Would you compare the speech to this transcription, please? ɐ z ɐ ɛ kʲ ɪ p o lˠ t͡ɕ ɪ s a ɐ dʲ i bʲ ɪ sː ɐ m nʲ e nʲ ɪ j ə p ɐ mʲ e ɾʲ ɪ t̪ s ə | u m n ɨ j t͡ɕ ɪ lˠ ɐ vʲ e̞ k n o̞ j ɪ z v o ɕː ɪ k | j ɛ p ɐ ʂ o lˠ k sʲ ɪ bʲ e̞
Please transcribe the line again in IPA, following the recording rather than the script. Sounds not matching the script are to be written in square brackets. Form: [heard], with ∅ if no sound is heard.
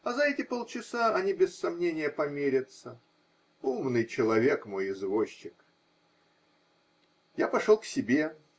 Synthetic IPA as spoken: ɐ z ɐ ɛ [tʲ] ɪ p o lˠ t͡ɕ ɪ s a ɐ [nʲ] i bʲ ɪ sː ɐ m nʲ e nʲ ɪ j ə p ɐ mʲ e ɾʲ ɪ t̪ s ə | u m n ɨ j t͡ɕ ɪ lˠ ɐ vʲ e̞ k [m] o̞ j ɪ z v o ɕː ɪ k | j [a] p ɐ ʂ o lˠ k sʲ ɪ bʲ e̞